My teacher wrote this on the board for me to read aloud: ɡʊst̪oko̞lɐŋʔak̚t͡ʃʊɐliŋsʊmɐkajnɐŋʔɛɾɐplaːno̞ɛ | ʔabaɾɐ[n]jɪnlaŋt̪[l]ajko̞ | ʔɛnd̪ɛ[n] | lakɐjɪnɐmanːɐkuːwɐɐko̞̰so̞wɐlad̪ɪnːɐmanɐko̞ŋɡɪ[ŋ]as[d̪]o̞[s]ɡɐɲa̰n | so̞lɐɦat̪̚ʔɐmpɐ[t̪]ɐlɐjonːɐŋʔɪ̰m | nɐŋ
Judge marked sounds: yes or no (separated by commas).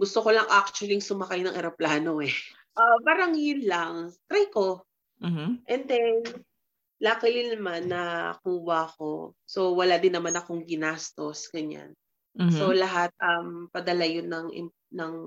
no, no, yes, no, no, yes, no